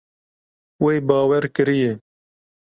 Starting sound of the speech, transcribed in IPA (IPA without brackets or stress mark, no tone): w